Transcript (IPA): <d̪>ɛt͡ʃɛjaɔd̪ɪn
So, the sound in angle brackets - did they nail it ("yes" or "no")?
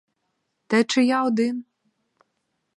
no